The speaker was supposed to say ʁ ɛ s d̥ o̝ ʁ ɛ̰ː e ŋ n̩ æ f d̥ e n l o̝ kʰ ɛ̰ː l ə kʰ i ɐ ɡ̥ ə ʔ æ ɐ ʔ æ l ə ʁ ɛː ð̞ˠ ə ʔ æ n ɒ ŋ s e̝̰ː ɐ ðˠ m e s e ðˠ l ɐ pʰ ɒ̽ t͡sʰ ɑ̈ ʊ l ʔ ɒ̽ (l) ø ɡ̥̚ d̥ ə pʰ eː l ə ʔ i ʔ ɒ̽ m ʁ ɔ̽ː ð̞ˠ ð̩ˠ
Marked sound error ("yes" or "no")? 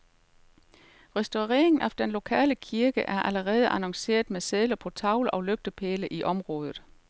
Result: no